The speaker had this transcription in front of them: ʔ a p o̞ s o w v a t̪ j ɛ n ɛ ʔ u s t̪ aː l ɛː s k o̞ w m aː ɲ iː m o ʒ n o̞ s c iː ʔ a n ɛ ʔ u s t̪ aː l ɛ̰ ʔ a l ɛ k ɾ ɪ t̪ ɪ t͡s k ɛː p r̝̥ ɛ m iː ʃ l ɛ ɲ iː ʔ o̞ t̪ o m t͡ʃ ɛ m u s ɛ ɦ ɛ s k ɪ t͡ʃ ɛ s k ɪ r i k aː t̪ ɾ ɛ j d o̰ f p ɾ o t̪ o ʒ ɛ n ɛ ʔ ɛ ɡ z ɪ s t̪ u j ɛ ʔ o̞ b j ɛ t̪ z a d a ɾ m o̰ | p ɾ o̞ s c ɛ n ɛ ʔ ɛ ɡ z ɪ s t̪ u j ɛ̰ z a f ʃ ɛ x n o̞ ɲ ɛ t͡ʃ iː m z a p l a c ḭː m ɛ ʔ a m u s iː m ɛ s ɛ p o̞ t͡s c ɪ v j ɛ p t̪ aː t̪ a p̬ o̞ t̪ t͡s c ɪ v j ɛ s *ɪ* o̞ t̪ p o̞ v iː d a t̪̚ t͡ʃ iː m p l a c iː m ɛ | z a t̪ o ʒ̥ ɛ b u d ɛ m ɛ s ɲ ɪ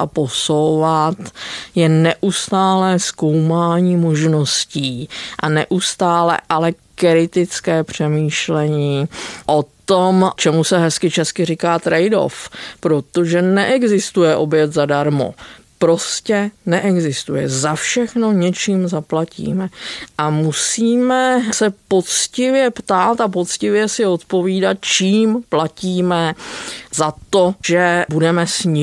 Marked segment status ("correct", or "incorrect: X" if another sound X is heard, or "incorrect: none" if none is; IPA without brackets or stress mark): correct